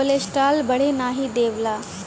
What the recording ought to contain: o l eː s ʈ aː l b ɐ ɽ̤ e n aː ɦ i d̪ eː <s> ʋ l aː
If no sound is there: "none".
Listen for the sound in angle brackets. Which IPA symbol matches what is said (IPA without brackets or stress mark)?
none